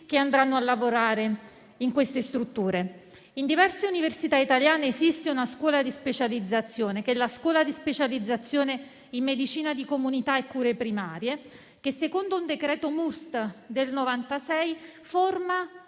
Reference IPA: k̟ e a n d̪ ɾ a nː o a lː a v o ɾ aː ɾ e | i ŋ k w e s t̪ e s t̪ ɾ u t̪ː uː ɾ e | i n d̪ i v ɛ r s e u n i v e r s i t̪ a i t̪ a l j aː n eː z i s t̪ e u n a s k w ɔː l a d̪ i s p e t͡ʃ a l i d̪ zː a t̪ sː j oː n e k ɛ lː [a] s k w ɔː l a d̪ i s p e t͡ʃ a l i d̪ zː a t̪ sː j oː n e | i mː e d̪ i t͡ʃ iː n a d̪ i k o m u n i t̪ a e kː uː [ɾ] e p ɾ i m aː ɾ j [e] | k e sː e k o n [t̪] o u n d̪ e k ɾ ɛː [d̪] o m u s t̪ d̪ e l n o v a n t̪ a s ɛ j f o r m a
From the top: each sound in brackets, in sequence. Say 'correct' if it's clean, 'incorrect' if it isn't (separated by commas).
correct, correct, correct, incorrect, incorrect